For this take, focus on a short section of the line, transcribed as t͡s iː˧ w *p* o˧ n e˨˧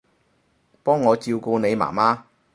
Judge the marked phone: incorrect: k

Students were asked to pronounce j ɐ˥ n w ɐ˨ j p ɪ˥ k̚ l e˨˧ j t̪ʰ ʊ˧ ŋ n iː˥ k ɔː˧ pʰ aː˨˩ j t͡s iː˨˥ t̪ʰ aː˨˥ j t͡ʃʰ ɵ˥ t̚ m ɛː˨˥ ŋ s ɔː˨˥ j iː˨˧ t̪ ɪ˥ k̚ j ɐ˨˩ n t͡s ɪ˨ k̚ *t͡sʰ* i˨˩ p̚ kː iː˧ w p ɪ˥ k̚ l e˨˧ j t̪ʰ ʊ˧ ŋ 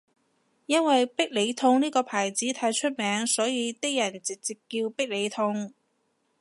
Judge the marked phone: incorrect: t͡s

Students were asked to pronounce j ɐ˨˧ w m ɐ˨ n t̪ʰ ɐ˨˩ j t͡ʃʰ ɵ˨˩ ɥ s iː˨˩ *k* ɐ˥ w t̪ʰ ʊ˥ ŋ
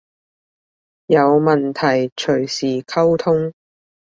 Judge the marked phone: incorrect: kʰ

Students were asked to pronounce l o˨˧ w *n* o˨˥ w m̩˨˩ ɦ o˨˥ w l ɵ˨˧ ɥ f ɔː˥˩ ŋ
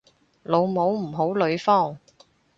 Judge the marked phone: incorrect: m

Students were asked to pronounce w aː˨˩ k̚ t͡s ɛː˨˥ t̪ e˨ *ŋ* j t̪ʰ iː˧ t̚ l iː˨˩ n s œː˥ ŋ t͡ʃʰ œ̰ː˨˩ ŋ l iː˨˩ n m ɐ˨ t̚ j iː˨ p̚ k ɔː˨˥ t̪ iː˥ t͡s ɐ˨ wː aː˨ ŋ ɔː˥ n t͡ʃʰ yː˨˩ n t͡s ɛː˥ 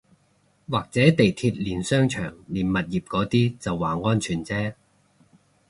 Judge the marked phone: incorrect: none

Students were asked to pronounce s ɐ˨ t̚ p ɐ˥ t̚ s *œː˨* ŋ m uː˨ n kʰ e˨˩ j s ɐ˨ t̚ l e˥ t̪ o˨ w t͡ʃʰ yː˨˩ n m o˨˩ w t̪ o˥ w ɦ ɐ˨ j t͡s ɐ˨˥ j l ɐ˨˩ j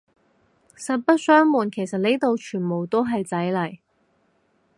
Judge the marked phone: incorrect: œː˥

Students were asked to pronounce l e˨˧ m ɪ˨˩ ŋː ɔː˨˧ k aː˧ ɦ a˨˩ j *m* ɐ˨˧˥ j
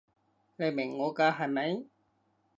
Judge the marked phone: correct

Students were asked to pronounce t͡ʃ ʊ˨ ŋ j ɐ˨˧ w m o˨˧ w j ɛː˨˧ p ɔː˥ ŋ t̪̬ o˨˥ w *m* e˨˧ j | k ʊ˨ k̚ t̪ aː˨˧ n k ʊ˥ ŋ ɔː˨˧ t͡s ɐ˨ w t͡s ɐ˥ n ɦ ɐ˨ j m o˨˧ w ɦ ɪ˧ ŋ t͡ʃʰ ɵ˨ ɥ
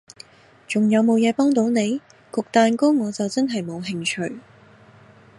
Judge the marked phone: incorrect: n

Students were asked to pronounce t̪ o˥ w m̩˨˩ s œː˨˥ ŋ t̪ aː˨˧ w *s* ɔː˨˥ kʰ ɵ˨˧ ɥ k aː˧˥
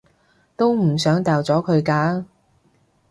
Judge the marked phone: incorrect: t͡s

